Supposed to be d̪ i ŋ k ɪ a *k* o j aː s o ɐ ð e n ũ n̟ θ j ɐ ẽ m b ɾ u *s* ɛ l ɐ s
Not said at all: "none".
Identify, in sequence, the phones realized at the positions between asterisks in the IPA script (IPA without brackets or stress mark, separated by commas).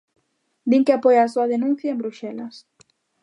p, ʃ